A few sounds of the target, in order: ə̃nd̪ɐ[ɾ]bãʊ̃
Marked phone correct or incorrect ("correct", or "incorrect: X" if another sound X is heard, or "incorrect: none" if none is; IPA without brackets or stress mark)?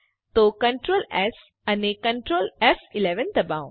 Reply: incorrect: none